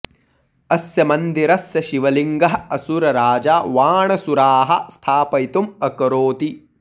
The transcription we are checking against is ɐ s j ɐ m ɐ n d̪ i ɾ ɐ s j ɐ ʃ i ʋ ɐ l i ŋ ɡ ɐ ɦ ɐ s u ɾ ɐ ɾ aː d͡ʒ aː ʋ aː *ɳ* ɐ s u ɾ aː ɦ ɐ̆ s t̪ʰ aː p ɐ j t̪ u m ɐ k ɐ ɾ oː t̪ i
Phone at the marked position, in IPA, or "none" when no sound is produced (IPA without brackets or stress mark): ɳ